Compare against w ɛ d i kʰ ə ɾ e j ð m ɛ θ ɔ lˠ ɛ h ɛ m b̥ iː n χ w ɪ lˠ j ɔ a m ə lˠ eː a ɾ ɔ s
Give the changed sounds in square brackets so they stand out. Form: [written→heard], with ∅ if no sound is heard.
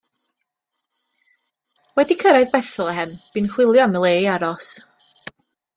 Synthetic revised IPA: w ɛ d i kʰ ə ɾ [e→a] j ð [m→b] ɛ θ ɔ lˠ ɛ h ɛ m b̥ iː n χ w ɪ lˠ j ɔ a m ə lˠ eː a ɾ ɔ s